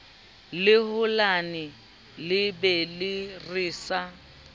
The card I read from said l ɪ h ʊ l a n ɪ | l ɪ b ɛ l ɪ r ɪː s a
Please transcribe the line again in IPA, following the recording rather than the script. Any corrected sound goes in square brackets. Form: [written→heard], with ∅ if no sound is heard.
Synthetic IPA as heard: l ɪ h ʊ l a n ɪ | l ɪ b ɛ l ɪ r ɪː s a